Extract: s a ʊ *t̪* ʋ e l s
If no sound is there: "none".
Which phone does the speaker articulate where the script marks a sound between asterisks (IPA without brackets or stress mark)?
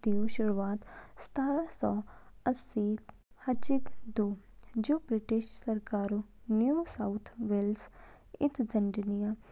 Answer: t̪ʰ